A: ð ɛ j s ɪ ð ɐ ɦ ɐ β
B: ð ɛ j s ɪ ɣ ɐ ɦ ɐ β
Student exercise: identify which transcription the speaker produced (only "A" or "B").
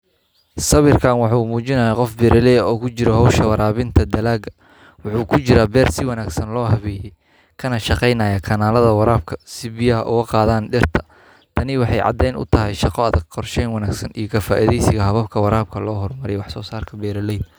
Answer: B